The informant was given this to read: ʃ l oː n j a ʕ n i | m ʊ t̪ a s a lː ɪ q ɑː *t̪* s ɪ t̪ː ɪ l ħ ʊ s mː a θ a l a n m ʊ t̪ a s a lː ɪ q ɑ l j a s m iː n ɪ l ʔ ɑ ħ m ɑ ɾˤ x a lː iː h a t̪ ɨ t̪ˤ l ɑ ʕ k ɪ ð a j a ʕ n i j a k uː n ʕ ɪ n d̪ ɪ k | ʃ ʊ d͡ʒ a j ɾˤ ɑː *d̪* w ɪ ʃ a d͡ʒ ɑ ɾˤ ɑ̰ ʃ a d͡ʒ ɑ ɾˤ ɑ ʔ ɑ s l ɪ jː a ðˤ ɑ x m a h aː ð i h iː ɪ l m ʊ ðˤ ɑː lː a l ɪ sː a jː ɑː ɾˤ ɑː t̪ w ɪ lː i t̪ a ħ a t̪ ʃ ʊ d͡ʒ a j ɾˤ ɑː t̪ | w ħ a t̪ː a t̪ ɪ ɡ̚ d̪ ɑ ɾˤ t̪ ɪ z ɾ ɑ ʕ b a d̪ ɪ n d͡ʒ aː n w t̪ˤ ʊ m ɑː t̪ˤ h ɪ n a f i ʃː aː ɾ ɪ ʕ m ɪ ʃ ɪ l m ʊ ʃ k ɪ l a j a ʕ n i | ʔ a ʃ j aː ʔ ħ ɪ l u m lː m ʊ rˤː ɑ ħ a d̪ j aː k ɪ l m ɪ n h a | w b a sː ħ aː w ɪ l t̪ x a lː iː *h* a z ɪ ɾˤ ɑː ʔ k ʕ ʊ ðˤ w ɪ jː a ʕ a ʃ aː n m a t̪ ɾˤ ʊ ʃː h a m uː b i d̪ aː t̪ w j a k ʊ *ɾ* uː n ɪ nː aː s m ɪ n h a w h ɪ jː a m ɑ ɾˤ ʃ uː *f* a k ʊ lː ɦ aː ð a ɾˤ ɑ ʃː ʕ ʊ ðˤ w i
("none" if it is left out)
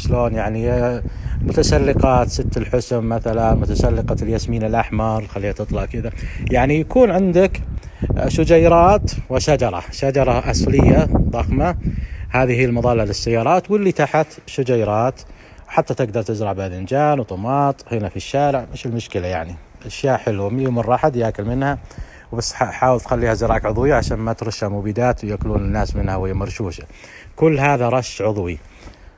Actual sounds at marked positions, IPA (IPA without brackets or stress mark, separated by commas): t̪, t̪, h, l, ʃ